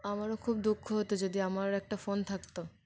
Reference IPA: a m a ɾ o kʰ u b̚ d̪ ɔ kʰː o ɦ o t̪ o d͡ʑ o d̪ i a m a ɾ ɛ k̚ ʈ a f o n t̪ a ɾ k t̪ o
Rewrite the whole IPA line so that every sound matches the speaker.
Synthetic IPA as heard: a m a ɾ o kʰ u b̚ d̪ u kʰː o ɦ o t̪ o d͡ʑ o d̪ i a m a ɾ ɛ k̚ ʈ a f o n t̪ʰ a k t̪ o